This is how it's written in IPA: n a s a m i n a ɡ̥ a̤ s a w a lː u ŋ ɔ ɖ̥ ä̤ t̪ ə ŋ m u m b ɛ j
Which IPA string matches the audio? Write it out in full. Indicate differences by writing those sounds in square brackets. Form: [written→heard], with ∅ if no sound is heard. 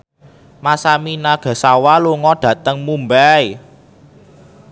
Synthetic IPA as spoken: [n→m] a s a m i n a ɡ̥ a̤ s a w a [lː→l] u ŋ ɔ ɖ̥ ä̤ t̪ ə ŋ m u m b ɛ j